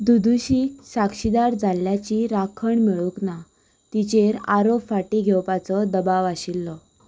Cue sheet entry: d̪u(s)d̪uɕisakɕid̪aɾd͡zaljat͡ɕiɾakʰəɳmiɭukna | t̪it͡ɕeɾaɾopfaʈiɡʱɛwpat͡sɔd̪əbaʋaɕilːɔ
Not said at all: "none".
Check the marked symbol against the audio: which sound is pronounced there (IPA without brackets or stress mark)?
none